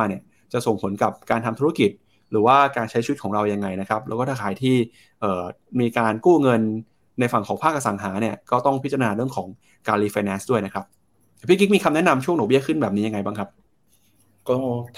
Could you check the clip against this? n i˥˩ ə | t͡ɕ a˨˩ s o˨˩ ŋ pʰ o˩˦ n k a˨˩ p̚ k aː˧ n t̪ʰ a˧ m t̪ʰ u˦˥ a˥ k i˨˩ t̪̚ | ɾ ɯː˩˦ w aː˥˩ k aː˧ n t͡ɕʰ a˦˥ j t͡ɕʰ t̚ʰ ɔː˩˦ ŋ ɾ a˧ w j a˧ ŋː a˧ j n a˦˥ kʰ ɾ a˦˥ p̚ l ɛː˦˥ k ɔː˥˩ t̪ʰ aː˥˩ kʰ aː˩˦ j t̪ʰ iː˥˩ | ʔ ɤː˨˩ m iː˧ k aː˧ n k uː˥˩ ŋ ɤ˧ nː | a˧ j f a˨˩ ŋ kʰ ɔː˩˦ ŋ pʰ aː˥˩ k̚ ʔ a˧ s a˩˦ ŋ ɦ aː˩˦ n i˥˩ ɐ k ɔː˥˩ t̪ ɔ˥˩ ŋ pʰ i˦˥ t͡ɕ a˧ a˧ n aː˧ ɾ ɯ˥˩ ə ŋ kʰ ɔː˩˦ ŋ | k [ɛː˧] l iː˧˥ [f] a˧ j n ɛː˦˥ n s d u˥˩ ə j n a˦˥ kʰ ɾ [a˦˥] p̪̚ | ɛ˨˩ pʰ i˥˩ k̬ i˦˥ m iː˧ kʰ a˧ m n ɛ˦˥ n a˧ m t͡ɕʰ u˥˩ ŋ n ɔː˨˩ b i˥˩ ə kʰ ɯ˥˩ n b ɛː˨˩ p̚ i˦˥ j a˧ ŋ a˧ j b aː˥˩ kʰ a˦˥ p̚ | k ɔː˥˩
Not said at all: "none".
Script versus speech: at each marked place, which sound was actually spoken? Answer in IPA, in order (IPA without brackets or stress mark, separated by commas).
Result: aː˧, f, a˦˥